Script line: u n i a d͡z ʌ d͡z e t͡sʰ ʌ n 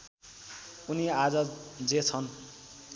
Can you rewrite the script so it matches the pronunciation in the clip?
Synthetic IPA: u n i a d͡z ʌ d͡z e t͡sʰ ʌ n